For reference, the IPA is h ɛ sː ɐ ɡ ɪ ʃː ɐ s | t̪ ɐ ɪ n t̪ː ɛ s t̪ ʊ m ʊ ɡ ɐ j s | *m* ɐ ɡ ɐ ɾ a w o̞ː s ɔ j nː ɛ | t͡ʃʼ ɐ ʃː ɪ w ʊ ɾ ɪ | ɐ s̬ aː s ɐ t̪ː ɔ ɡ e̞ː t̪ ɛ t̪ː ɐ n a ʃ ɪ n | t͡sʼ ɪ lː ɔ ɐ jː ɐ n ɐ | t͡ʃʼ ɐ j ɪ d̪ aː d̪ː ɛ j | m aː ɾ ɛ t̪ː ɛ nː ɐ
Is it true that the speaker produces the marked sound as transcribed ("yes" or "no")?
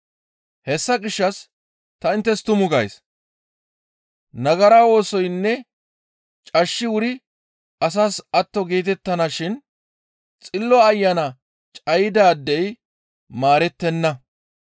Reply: no